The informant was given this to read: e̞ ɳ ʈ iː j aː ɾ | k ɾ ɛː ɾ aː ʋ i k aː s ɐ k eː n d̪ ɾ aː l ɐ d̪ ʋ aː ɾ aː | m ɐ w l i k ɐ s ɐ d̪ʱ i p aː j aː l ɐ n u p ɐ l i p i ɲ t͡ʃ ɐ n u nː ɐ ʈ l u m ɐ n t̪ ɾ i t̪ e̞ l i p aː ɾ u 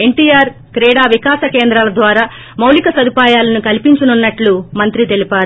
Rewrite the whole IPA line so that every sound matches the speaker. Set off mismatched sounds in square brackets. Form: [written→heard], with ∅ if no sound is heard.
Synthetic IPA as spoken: e̞ ɳ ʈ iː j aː ɾ | k ɾ ɛː [ɾ→ɽ] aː ʋ i k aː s ɐ k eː n d̪ ɾ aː l ɐ d̪ ʋ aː ɾ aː | m ɐ w l i k ɐ s ɐ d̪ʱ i p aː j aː l ɐ n u [p→k] ɐ l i p i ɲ t͡ʃ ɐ n u nː ɐ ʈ l u m ɐ n t̪ ɾ i t̪ e̞ l i p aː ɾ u